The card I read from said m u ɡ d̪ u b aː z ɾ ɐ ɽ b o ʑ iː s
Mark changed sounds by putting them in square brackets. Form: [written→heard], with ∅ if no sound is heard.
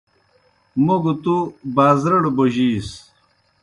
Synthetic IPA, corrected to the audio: m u ɡ [d̪→t̪] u b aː z ɾ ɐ ɽ b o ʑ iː s